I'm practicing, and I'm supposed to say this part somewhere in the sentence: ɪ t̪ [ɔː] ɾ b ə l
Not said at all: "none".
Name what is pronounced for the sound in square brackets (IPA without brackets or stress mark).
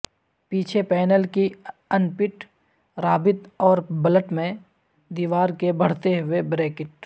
ɔː